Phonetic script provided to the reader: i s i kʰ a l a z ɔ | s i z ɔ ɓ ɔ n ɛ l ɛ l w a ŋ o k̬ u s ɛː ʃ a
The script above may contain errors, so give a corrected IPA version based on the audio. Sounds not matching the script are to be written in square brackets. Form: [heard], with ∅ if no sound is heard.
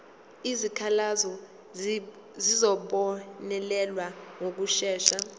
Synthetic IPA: i [z] i kʰ a l a z ɔ | [z] i z ɔ ɓ ɔ n ɛ l ɛ l w a ŋ o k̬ u [ʃ] ɛː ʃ a